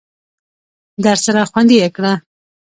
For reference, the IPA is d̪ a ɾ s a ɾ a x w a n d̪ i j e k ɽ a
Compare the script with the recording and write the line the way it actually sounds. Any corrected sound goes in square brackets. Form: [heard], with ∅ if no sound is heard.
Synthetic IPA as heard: d̪ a ɾ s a ɾ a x w a n d̪ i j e k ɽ a